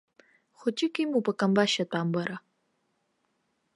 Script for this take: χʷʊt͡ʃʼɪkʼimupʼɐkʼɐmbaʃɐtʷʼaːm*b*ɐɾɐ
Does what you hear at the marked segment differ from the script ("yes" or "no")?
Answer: no